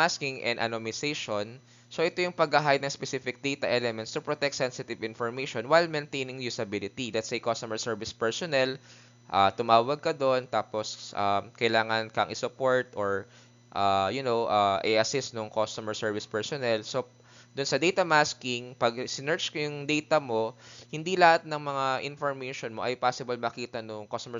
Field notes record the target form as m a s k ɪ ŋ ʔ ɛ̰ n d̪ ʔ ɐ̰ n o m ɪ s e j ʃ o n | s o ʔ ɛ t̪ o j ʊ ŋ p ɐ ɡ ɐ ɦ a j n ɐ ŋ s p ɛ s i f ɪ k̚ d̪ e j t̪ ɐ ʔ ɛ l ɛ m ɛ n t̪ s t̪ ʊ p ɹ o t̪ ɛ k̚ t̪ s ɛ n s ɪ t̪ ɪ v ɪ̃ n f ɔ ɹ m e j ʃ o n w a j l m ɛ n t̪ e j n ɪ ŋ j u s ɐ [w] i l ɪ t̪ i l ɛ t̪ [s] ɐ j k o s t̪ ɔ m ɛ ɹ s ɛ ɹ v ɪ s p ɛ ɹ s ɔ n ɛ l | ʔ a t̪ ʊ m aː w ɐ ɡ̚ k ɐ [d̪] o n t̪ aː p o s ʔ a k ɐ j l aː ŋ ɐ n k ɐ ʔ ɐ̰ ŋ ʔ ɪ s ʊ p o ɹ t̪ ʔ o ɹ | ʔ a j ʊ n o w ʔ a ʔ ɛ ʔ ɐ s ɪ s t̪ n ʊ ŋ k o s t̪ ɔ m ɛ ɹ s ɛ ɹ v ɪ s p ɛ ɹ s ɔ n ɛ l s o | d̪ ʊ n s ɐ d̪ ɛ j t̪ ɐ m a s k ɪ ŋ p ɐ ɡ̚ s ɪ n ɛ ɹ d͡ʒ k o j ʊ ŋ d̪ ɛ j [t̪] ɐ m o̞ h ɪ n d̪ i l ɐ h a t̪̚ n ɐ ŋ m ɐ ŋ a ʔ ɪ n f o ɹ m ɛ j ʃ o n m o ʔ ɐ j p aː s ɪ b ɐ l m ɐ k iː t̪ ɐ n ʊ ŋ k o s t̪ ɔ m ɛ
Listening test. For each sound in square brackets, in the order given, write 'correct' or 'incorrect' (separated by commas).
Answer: incorrect, correct, correct, correct